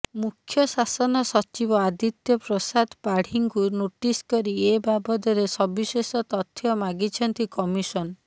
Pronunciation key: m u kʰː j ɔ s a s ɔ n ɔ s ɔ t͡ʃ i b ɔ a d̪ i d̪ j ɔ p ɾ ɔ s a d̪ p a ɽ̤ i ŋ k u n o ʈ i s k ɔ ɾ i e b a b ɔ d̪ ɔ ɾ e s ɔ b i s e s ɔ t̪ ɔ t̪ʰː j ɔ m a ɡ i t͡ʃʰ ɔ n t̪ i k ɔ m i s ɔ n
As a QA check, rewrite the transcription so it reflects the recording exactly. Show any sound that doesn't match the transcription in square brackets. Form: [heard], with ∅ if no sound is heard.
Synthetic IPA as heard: m u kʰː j ɔ s a s ɔ n ɔ s ɔ t͡ʃ i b ɔ a d̪ i [t̪] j ɔ p ɾ ɔ s a d̪ p a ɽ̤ i ŋ k u n o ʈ i s k ɔ ɾ i e b a b ɔ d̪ ɔ ɾ e s ɔ b i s e s ɔ t̪ ɔ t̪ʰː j ɔ m a ɡ i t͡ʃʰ ɔ n t̪ i k ɔ m i s ɔ n